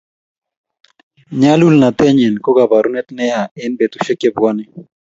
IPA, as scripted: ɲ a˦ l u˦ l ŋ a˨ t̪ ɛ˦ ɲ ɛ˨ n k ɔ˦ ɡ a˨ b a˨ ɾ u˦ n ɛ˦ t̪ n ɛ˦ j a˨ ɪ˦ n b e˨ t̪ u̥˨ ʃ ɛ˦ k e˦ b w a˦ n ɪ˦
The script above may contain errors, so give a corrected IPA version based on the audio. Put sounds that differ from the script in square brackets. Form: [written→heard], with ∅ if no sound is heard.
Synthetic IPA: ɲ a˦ l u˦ l [ŋ→n] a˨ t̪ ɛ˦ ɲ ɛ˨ n k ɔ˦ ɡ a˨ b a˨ ɾ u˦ n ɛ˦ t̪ n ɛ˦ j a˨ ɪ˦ n b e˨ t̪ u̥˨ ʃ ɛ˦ k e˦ b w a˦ n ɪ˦